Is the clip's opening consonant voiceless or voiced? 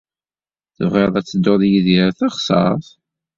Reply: voiceless